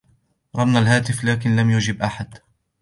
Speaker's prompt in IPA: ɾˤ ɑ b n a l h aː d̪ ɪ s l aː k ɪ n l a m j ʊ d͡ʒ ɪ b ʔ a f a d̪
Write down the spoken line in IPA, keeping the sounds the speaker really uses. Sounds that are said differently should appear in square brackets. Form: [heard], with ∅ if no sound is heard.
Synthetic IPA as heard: ɾˤ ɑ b n a l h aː [t̪] ɪ [f] l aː k ɪ n l a m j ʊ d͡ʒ ɪ b ʔ a [ħ] a d̪